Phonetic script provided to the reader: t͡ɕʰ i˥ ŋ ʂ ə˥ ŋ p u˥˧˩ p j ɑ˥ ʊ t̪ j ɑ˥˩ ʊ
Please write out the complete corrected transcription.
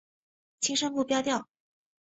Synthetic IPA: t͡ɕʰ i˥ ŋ ʂ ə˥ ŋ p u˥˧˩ p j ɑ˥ ʊ t̪ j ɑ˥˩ ʊ